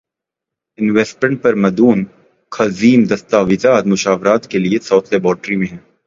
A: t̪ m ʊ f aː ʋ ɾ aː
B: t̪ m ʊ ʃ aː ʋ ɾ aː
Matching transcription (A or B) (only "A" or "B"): B